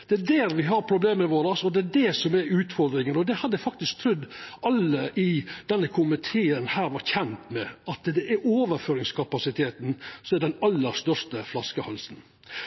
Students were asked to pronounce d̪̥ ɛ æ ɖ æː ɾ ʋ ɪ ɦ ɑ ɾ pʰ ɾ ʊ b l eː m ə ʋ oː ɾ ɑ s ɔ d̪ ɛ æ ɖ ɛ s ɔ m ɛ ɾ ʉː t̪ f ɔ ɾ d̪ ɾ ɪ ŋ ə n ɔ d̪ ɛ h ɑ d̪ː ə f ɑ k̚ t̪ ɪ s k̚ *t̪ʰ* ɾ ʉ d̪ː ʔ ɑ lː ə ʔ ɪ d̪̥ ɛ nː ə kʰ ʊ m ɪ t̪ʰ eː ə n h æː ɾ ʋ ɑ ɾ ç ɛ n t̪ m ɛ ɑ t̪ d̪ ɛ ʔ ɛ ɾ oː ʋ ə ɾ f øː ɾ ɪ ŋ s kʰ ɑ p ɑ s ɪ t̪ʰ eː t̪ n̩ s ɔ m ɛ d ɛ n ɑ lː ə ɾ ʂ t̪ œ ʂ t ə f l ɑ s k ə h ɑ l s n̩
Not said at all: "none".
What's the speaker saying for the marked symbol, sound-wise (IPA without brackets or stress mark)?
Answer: t̪ʰ